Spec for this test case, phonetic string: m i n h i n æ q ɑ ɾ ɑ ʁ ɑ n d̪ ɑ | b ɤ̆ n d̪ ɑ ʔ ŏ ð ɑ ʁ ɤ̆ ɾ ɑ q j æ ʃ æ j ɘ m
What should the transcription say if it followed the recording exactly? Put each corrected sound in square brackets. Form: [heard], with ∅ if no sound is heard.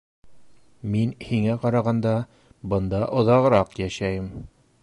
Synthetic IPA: m i n h i [ŋ] æ q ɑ ɾ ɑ ʁ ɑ n d̪ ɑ | b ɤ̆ n d̪ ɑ ʔ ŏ ð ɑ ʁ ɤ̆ ɾ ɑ q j æ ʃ æ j ɘ m

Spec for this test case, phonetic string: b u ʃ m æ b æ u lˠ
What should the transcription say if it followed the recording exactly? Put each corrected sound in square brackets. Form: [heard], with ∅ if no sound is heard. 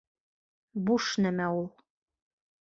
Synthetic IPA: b u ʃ [n] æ [m] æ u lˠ

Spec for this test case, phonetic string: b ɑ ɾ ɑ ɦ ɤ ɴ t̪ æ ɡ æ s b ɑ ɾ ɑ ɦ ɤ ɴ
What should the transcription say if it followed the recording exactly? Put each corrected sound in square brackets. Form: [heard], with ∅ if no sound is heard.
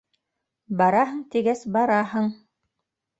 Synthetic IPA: b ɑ ɾ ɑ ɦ ɤ ɴ t̪ [i] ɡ æ s b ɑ ɾ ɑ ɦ ɤ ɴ

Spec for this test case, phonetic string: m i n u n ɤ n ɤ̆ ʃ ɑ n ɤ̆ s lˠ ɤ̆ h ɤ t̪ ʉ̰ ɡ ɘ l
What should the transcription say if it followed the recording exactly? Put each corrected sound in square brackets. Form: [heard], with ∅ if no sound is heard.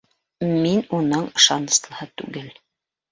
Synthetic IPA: m i n u n ɤ [ɴ] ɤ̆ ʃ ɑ n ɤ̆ s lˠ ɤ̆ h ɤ t̪ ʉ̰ ɡ ɘ l

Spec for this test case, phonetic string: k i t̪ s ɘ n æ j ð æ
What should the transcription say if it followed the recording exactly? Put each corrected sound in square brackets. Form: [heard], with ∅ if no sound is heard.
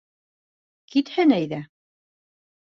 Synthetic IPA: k i t̪ [h] ɘ n æ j ð æ

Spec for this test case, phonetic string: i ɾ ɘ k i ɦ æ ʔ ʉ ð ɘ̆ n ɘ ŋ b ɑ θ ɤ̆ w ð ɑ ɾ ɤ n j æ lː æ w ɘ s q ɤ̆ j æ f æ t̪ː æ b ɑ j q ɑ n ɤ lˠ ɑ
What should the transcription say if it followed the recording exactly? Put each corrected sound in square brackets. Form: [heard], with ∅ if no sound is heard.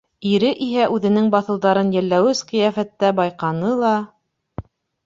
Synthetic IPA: i ɾ ɘ [ʔ] i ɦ æ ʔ ʉ ð ɘ̆ n ɘ ŋ b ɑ θ ɤ̆ w ð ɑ ɾ ɤ n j æ lː æ w ɘ s q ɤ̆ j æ f æ t̪ː æ b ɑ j q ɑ n ɤ lˠ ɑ

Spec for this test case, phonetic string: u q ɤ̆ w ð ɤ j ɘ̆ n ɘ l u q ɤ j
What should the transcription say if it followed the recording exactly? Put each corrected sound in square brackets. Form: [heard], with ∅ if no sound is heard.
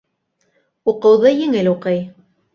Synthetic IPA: u q ɤ̆ w ð ɤ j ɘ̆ [ŋ] ɘ l u q ɤ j

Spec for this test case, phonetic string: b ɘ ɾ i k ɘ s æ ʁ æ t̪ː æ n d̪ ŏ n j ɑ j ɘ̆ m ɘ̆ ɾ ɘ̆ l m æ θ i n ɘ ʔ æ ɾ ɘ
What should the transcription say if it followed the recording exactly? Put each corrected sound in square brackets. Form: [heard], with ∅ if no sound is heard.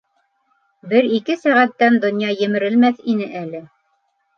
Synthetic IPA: b ɘ ɾ i k ɘ s æ ʁ æ t̪ː æ n d̪ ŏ n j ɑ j ɘ̆ m ɘ̆ ɾ ɘ̆ l m æ θ i n ɘ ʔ æ [l] ɘ

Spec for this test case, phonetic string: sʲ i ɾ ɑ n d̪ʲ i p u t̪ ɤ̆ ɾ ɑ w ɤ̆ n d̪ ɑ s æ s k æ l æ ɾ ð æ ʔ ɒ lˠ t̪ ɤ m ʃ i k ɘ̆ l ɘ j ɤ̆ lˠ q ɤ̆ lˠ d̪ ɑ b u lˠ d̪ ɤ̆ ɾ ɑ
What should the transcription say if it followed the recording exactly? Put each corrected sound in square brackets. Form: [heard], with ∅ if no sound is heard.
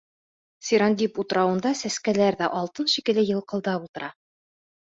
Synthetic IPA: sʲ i ɾ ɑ n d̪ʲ i p u t̪ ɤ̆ ɾ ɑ w ɤ̆ n d̪ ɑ s æ s k æ l æ ɾ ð æ ʔ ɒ lˠ t̪ ɤ [n] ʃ i k ɘ̆ l ɘ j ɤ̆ lˠ q ɤ̆ lˠ d̪ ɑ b u lˠ [t̪] ɤ̆ ɾ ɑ

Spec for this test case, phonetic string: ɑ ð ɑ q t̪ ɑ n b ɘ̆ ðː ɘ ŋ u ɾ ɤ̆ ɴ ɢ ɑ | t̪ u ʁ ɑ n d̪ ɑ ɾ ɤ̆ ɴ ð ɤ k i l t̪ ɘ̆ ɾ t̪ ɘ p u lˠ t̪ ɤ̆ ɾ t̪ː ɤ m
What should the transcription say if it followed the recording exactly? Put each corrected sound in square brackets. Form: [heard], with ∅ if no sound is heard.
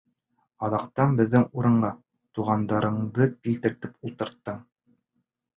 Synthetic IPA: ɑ ð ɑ q t̪ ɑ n b ɘ̆ ðː ɘ ŋ u ɾ ɤ̆ ɴ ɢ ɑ | t̪ u ʁ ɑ n d̪ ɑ ɾ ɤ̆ ɴ ð ɤ k i l t̪ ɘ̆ ɾ t̪ ɘ p u lˠ t̪ ɤ̆ ɾ t̪ː ɤ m

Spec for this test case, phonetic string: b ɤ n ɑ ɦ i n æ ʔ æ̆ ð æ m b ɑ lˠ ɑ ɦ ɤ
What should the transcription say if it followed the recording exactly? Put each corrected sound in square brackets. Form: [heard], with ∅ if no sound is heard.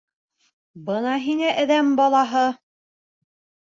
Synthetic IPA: b ɤ n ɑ ɦ i n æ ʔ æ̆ ð æ m b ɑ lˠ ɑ ɦ ɤ

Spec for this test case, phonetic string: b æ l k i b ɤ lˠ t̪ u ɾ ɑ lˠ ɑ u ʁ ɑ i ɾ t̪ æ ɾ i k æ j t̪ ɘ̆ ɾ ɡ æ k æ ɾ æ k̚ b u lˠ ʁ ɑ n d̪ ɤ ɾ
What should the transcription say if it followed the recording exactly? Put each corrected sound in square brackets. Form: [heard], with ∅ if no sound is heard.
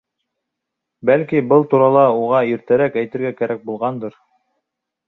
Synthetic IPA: b æ l k i b ɤ lˠ t̪ u ɾ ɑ lˠ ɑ u ʁ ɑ i ɾ t̪ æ ɾ [æ] k æ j t̪ ɘ̆ ɾ ɡ æ k æ ɾ æ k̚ b u lˠ ʁ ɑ n d̪ ɤ ɾ

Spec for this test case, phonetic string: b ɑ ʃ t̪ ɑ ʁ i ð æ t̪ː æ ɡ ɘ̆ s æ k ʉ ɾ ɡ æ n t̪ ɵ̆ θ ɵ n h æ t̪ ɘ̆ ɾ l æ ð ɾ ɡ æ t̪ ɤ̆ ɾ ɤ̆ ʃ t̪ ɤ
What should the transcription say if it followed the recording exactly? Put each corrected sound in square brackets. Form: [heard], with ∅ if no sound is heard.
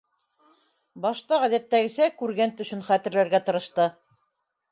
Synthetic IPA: b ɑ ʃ t̪ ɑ ʁ [æ] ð æ t̪ː æ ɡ ɘ̆ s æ k ʉ ɾ ɡ æ n t̪ ɵ̆ [ʃ] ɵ n [χ] æ t̪ ɘ̆ ɾ l æ [∅] ɾ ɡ æ t̪ ɤ̆ ɾ ɤ̆ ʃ t̪ ɤ

